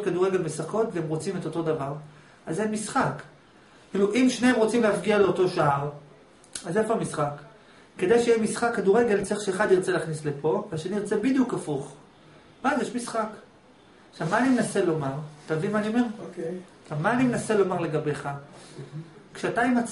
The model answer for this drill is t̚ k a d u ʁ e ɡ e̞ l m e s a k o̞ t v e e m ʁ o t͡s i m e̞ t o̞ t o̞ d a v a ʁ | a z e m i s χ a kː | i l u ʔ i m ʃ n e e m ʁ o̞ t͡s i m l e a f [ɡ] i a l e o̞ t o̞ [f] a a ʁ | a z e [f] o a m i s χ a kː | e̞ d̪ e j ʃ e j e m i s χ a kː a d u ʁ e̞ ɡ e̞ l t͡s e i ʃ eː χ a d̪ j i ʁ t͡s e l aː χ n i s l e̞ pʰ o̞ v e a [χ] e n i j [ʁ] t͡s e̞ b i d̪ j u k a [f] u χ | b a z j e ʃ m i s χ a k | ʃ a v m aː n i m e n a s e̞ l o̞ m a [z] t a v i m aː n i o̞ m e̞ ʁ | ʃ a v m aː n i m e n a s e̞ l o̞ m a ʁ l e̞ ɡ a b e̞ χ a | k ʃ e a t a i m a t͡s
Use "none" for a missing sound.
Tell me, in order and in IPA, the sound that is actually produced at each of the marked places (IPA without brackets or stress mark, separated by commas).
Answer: ɡ, ʃ, f, ʃ, ʁ, f, ʁ